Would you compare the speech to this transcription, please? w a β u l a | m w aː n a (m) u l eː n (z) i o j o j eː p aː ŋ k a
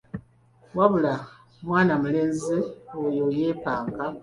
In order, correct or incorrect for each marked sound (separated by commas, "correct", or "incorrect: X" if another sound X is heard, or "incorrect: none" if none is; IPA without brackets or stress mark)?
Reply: correct, correct